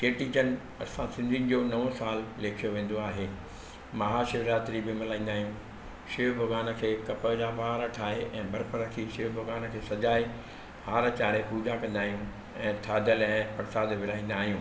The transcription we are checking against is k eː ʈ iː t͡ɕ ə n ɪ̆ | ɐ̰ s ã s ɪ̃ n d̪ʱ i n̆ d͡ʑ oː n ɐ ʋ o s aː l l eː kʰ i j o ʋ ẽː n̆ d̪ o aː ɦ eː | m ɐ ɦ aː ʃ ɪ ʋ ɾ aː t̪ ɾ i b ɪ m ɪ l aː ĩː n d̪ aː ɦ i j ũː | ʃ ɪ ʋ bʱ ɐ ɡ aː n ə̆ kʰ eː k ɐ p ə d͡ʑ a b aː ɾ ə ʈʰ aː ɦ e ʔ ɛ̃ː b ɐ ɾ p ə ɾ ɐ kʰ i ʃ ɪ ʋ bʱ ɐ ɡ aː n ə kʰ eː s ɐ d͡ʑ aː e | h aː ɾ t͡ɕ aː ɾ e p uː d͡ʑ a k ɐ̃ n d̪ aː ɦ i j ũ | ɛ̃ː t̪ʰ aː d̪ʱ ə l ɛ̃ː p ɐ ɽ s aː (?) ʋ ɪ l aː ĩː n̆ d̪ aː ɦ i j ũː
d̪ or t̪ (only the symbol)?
d̪